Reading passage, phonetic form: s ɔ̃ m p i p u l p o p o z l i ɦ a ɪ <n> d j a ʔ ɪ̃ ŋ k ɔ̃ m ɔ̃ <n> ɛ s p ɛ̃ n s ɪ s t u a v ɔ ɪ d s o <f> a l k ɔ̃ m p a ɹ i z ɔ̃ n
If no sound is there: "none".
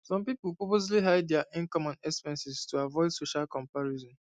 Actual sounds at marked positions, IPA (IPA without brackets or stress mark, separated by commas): d, n, ʃ